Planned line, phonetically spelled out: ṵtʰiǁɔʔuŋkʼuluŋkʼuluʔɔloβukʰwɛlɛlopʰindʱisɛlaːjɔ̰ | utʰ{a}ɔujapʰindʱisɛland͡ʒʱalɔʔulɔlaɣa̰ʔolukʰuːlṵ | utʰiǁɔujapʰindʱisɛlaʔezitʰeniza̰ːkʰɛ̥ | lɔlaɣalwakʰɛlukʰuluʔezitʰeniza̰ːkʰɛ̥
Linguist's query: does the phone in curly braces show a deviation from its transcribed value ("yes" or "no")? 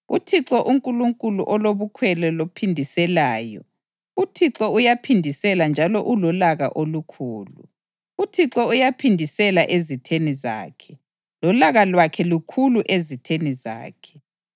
yes